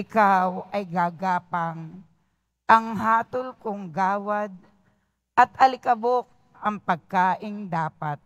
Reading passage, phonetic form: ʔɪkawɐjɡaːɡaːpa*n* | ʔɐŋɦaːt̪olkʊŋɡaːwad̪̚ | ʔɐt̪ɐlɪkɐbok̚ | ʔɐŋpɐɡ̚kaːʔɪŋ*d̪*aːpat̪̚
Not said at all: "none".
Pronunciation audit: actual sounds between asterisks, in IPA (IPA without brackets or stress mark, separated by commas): ŋ, d̪